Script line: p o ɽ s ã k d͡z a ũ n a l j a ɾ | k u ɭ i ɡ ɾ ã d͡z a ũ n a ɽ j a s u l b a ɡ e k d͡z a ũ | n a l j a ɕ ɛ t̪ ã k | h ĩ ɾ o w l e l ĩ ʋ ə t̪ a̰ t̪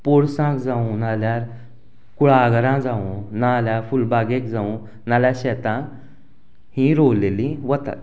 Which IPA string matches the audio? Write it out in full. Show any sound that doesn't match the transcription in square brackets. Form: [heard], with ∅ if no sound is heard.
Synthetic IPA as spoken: p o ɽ s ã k d͡z a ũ n a l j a ɾ | k u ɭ [a] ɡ ɾ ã d͡z a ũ n a [l] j a [f] u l b a ɡ e k d͡z a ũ | n a l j a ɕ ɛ t̪ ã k | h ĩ ɾ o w l e l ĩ ʋ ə t̪ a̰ t̪